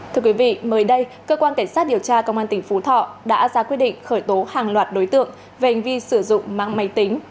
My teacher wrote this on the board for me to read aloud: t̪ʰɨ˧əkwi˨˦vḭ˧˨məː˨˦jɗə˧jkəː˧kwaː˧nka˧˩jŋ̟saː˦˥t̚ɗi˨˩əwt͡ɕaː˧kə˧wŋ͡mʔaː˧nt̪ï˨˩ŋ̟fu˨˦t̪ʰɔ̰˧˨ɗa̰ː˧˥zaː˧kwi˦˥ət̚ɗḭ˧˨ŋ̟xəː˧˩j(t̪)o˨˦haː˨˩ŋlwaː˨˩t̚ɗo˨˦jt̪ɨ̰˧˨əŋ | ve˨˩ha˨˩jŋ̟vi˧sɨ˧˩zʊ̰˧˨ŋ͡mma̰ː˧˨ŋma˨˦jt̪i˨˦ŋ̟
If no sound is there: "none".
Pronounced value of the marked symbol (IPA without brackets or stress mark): t̪